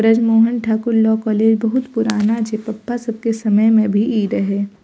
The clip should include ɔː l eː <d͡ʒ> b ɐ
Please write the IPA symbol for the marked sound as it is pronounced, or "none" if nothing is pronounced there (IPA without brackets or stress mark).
d͡ʒ